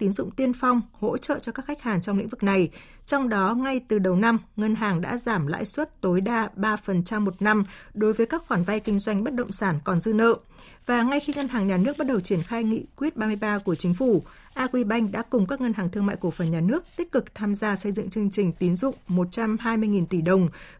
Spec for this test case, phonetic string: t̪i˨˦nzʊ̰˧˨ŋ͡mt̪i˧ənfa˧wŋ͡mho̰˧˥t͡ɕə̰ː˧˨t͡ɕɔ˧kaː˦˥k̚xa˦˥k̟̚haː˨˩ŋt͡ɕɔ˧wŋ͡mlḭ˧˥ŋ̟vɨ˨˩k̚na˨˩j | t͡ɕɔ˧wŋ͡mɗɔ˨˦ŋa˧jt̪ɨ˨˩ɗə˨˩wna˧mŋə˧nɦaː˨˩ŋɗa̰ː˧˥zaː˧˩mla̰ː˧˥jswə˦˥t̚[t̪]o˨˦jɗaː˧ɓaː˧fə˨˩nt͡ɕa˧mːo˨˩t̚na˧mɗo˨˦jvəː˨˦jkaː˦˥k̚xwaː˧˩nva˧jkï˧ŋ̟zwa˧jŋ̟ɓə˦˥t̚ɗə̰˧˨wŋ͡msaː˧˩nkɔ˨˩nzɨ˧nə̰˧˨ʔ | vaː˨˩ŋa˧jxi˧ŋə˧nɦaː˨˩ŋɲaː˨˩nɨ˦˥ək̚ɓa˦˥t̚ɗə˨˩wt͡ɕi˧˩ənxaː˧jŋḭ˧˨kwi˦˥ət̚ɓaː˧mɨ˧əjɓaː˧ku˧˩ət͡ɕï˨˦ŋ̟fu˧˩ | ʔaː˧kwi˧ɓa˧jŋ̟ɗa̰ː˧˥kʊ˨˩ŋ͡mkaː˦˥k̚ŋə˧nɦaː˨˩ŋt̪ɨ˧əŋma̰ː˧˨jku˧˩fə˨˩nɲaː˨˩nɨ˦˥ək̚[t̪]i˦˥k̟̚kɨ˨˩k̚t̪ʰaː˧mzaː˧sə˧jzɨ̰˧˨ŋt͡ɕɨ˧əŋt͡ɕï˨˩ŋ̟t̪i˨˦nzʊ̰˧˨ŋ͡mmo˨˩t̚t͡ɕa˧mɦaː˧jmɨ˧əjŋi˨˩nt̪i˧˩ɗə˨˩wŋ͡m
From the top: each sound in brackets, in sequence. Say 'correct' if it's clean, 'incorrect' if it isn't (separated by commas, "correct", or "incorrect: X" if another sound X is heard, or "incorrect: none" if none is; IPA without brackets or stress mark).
correct, correct